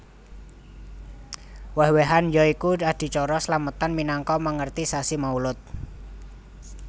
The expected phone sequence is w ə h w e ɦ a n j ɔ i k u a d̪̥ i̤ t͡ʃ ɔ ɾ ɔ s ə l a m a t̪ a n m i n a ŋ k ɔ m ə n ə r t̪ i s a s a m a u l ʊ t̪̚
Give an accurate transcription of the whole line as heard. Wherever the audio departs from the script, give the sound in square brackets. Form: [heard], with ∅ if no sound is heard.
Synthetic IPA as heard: w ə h w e ɦ a n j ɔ i k u a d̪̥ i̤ t͡ʃ ɔ ɾ ɔ s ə l a m [ə] t̪ a n m i n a ŋ k ɔ m ə [ŋ] ə r t̪ i s a s [i] m a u l ʊ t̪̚

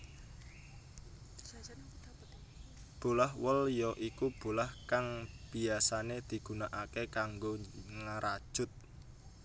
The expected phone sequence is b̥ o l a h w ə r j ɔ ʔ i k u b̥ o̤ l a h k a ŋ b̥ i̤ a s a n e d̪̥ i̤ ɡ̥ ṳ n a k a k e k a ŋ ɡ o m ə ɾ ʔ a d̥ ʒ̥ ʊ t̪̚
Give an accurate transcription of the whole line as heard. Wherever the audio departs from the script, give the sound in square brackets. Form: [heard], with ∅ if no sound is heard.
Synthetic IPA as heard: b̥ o l a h w ə [l] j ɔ ʔ i k u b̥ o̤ l a h k a ŋ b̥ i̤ a s a n e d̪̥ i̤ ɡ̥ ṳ n a [ʔ] a k e k a ŋ ɡ o [ŋ] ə ɾ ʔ a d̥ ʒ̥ ʊ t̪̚

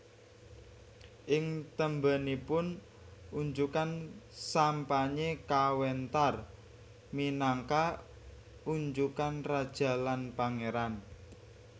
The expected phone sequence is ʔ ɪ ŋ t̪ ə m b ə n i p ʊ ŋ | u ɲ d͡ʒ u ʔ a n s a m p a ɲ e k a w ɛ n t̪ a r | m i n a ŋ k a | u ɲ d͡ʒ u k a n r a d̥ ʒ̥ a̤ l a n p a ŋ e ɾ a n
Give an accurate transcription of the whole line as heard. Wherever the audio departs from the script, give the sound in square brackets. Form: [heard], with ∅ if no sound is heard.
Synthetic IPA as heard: ʔ ɪ ŋ t̪ ə m b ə n i p ʊ [n] | u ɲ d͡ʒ u [k] a n s a m p a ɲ e k a w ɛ n t̪ a r | m i n a ŋ k a | u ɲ d͡ʒ u k a n r a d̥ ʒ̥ a̤ l a n p a ŋ e ɾ a n

